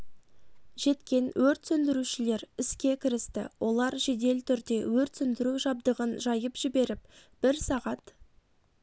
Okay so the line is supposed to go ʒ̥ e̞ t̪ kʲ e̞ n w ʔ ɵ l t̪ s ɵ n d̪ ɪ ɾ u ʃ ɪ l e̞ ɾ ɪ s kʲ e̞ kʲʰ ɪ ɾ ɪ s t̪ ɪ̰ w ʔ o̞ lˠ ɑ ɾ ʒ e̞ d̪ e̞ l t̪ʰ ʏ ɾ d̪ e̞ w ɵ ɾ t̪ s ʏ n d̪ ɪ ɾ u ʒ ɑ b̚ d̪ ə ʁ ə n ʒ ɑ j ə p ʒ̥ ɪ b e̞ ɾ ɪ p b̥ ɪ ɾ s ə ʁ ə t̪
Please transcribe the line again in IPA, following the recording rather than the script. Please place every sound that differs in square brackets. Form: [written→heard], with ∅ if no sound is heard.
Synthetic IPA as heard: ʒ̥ e̞ t̪ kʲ e̞ n w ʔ ɵ [l→ɾ] t̪ s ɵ n d̪ ɪ ɾ u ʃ ɪ l e̞ ɾ ɪ s kʲ e̞ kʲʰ ɪ ɾ ɪ s t̪ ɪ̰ w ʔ o̞ lˠ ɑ ɾ ʒ e̞ d̪ e̞ l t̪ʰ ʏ ɾ d̪ e̞ w ɵ ɾ t̪ s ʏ n d̪ ɪ ɾ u ʒ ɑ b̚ d̪ ə ʁ ə n ʒ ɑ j ə p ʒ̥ ɪ b e̞ ɾ ɪ p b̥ ɪ ɾ s [ə→ɑ] ʁ [ə→ɑ] t̪